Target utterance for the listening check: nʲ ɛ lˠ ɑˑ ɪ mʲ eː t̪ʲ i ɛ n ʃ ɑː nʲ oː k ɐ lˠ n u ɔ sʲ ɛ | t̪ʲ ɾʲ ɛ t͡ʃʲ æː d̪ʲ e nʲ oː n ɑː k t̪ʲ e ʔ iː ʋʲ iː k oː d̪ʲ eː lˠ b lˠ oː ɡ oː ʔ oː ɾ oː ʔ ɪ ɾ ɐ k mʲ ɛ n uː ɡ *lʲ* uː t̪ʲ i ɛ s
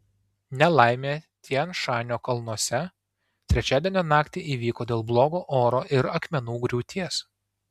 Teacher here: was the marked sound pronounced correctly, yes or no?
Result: no